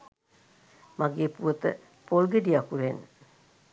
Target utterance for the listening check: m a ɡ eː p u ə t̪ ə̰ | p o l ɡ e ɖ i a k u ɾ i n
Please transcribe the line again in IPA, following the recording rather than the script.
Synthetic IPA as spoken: m a ɡ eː p u ə t̪ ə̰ | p o l ɡ e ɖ i a k u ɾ e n